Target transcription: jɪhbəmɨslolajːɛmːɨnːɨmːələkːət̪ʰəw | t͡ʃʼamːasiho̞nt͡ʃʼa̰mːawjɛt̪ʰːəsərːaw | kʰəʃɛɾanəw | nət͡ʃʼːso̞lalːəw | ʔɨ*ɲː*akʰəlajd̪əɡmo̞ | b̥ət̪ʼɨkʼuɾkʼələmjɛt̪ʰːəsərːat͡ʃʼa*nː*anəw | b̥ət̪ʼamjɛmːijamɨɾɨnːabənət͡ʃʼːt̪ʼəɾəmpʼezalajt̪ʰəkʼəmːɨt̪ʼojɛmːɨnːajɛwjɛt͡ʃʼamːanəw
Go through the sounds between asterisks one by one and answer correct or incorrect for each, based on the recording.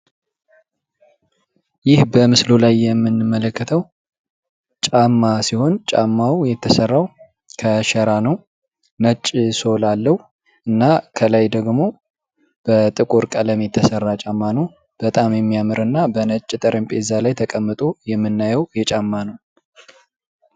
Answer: incorrect: nː, incorrect: mː

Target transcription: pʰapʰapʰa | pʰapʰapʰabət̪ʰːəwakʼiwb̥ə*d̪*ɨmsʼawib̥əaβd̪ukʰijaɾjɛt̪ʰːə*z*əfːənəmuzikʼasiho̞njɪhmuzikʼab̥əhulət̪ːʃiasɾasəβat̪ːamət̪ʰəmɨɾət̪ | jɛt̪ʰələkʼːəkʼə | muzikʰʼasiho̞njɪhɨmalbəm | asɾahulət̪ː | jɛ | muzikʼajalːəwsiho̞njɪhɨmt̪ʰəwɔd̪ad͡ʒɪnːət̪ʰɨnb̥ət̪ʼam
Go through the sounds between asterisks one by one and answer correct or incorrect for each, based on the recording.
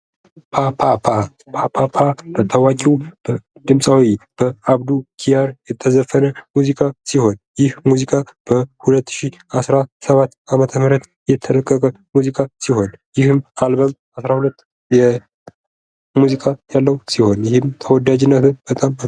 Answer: correct, correct

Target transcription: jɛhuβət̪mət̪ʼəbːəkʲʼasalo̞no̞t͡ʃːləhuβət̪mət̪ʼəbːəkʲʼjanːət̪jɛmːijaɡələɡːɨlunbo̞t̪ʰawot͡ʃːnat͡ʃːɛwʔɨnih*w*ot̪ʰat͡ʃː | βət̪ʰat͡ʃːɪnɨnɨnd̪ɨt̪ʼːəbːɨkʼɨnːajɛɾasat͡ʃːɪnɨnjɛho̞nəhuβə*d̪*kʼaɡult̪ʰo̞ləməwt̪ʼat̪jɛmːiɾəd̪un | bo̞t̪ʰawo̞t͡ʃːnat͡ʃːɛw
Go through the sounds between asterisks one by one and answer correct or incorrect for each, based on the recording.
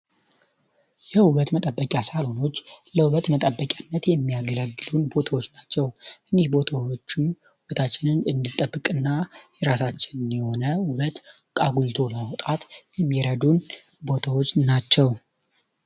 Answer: incorrect: b, incorrect: t̪

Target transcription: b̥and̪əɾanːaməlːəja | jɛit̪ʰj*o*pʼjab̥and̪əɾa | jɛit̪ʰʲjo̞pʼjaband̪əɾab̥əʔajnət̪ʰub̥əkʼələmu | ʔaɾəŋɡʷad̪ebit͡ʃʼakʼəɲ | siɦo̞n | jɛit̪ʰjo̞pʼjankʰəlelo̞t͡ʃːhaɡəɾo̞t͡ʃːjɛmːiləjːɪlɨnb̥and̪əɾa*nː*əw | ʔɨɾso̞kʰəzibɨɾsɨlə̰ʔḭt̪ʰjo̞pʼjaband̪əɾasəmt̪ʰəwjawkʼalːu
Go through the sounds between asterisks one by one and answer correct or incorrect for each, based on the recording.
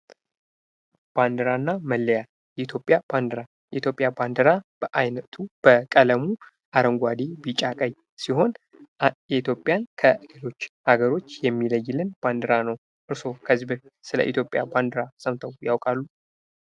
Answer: correct, incorrect: n

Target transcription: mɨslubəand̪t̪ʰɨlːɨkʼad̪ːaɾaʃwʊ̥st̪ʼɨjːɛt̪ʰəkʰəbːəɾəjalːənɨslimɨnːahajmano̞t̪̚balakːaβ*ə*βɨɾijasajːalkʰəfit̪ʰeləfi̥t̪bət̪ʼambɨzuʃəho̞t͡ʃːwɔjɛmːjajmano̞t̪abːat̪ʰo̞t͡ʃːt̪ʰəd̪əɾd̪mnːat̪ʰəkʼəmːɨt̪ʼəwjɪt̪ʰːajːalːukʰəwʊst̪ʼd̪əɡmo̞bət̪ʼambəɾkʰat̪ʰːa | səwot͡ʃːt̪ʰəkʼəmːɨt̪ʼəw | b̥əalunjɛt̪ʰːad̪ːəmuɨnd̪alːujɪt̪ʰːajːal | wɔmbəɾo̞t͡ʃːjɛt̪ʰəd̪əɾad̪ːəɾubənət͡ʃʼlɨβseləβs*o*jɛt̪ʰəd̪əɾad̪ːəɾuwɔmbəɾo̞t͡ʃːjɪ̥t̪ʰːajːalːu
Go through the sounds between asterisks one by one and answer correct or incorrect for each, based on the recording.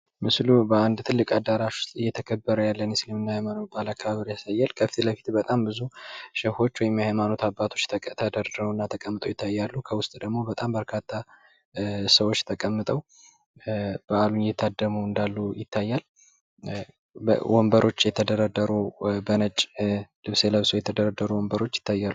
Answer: incorrect: a, correct

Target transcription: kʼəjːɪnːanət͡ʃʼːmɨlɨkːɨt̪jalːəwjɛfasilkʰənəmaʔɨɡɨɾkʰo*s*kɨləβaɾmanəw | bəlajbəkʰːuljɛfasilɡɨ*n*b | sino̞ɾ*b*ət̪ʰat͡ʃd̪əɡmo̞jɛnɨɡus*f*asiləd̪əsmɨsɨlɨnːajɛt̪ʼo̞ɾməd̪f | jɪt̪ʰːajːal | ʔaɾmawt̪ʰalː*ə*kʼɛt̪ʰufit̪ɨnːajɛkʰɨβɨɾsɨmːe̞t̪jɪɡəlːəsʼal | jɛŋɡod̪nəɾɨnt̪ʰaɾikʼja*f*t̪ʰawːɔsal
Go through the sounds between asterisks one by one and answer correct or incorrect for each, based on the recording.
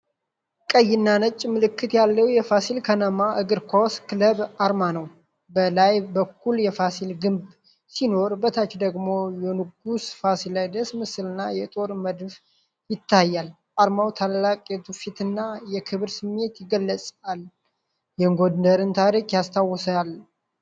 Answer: correct, incorrect: m, correct, correct, incorrect: a, incorrect: s

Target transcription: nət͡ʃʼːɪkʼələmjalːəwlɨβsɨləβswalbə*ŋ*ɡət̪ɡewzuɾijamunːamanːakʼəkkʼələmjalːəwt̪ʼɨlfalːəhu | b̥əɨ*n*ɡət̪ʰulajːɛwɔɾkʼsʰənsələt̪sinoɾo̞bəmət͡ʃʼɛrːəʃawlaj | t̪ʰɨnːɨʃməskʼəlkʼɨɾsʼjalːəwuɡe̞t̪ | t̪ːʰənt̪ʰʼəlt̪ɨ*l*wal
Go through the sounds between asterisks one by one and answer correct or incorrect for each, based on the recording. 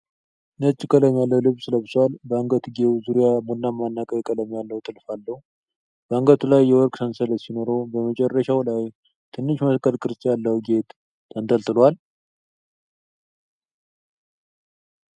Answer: correct, incorrect: ŋ, correct

